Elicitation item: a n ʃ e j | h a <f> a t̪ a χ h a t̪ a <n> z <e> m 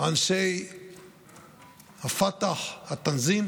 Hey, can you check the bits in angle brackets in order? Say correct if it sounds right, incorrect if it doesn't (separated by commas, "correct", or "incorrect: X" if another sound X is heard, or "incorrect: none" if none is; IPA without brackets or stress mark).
correct, correct, incorrect: i